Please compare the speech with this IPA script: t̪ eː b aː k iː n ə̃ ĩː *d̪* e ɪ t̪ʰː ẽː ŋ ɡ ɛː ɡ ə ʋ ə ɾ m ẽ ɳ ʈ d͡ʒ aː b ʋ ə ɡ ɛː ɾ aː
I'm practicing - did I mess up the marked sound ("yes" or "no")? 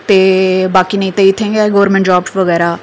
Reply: yes